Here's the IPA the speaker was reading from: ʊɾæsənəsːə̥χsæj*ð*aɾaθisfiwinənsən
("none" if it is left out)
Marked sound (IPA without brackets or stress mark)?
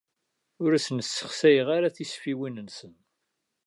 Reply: ʁ